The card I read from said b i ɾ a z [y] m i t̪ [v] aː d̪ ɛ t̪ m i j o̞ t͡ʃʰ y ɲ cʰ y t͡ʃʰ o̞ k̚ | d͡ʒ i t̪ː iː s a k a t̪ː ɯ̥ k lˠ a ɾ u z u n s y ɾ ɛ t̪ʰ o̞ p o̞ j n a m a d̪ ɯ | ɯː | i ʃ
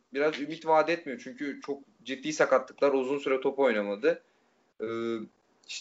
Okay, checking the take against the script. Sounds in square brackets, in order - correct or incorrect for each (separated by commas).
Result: correct, correct